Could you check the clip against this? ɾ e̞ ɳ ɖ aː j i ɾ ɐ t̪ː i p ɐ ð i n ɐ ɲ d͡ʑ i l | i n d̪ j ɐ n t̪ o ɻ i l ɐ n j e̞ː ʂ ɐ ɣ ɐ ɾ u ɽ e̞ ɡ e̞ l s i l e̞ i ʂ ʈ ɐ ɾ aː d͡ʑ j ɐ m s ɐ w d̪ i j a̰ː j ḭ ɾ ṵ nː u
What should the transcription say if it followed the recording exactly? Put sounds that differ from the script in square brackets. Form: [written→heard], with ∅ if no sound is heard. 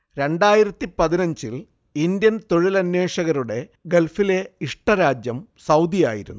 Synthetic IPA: ɾ e̞ ɳ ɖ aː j i ɾ ɐ t̪ː i p ɐ ð i n ɐ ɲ d͡ʑ i l | i n d̪ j ɐ n t̪ o ɻ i l ɐ n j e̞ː ʂ ɐ ɣ ɐ ɾ u ɽ e̞ ɡ e̞ l [s→f] i l e̞ i ʂ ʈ ɐ ɾ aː d͡ʑ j ɐ m s ɐ w d̪ i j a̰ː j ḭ ɾ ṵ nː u